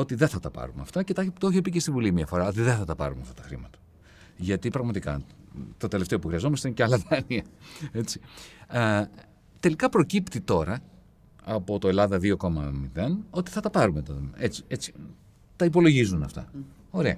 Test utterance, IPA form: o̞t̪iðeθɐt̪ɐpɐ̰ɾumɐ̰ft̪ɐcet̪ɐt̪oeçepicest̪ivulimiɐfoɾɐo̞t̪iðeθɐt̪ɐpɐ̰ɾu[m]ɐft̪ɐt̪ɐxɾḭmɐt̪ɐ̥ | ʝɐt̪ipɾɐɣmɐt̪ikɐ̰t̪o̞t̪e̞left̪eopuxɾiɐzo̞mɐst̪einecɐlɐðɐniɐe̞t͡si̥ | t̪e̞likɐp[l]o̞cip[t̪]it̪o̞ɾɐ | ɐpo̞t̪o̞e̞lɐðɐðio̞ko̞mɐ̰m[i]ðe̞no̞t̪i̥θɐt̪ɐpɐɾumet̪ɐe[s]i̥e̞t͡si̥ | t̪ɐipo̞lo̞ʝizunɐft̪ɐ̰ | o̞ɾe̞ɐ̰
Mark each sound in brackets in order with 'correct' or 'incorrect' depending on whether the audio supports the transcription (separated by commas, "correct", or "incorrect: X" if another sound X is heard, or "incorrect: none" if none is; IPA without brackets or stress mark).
correct, incorrect: ɾ, correct, correct, incorrect: t͡s